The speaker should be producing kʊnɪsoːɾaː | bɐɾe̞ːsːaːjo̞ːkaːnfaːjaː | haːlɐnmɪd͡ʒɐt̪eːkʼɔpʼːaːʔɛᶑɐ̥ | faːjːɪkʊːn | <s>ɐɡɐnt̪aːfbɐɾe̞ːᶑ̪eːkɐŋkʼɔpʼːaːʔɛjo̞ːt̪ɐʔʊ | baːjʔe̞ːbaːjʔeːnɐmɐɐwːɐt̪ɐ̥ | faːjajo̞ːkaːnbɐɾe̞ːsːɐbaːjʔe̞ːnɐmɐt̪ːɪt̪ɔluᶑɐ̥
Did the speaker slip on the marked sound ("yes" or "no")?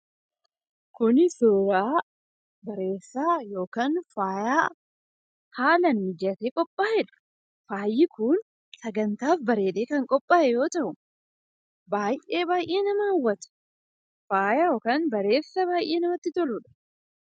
no